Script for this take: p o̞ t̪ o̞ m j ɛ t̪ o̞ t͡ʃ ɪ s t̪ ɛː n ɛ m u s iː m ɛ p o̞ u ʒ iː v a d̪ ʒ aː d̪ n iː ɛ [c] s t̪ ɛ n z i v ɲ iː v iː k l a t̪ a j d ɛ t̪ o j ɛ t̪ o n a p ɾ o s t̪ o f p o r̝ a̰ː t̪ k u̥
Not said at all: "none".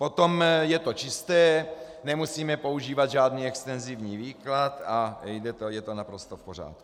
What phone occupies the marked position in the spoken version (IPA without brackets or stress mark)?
k